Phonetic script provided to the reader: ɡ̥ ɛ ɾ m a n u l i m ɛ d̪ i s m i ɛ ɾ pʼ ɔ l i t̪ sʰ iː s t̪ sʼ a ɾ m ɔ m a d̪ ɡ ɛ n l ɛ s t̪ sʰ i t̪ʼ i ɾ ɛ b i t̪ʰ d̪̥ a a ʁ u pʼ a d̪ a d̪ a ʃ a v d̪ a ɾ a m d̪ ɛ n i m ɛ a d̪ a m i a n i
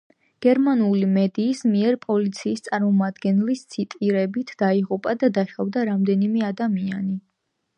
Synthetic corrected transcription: ɡ̥ ɛ ɾ m a n u l i m ɛ d̪ iː s m i ɛ ɾ pʼ ɔ l i t̪ sʰ iː s t̪ sʼ a ɾ m ɔ m a d̪ ɡ ɛ n l i s t̪ sʰ i t̪ʼ i ɾ ɛ b i t̪ʰ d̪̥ a i ʁ u pʼ a d̪ a d̪ a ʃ a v d̪ a ɾ a m d̪ ɛ n i m ɛ a d̪ a m i a n i